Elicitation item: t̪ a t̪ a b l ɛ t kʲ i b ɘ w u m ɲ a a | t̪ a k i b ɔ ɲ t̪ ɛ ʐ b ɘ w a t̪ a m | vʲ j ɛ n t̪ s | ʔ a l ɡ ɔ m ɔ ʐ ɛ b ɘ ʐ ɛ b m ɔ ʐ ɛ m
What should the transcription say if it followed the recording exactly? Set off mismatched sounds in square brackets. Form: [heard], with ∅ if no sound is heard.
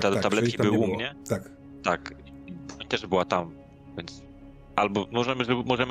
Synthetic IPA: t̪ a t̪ a b l ɛ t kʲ i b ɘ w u m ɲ [ɛ] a | t̪ a k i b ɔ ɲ t̪ ɛ ʐ b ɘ w a t̪ a m | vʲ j ɛ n t̪ s | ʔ a l [b] ɔ m ɔ ʐ ɛ [m] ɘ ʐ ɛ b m ɔ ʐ ɛ m